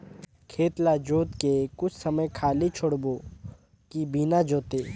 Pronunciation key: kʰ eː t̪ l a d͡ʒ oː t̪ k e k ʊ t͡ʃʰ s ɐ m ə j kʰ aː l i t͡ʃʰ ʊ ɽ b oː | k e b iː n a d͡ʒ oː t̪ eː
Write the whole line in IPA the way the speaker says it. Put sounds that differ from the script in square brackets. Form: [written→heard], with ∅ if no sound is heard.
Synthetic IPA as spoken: kʰ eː t̪ l a d͡ʒ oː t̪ k e k ʊ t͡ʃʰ s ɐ m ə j kʰ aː l i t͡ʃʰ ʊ ɽ b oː | k [e→i] b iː n a d͡ʒ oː t̪ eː